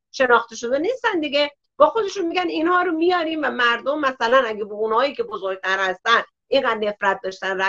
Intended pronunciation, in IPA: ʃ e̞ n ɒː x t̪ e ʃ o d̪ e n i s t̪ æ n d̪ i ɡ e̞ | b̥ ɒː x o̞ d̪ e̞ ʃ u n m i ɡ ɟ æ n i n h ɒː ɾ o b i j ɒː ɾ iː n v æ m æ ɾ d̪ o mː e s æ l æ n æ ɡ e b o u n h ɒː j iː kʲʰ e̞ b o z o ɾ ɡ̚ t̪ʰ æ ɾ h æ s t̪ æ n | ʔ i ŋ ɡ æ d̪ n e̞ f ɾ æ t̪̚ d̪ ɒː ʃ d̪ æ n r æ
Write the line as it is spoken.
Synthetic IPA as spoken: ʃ e̞ n ɒː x t̪ e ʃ o d̪ e n i s t̪ æ n d̪ i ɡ e̞ | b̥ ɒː x o̞ d̪ e̞ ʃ u n m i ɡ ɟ æ n i n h ɒː ɾ o m i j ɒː ɾ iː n v æ m æ ɾ d̪ o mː æ s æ l æ n æ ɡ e b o u n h ɒː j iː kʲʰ e̞ b o z o ɾ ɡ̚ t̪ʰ æ ɾ h æ s t̪ æ n | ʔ i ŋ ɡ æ d̪ n e̞ f ɾ æ t̪̚ d̪ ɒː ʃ t̪ æ n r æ